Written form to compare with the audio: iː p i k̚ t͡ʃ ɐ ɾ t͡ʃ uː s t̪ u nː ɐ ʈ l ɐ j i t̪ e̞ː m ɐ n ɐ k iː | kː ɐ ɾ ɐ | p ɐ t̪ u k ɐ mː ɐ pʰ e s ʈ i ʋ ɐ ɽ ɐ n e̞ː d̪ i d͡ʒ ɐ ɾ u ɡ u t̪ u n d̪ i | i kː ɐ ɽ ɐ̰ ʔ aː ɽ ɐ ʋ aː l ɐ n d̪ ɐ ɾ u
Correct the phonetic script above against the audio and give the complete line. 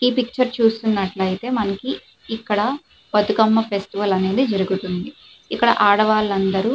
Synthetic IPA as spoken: iː p i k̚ t͡ʃ ɐ ɾ t͡ʃ uː s t̪ u nː ɐ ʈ l ɐ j i t̪ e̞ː m ɐ n ɐ k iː | kː ɐ ɽ ɐ | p ɐ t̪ u k ɐ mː ɐ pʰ e s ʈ i ʋ ɐ l ɐ n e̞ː d̪ i d͡ʒ ɐ ɾ u ɡ u t̪ u n d̪ i | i kː ɐ ɽ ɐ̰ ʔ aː ɽ ɐ ʋ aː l ɐ n d̪ ɐ ɾ u